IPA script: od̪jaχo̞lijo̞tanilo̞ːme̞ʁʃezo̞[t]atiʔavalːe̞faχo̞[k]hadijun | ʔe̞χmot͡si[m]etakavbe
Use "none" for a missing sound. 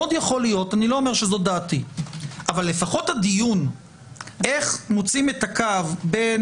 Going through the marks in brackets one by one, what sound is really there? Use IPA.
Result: d, t, m

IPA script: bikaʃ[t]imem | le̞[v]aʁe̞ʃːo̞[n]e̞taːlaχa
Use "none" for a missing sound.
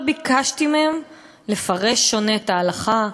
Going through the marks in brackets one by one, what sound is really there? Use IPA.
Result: t, f, n

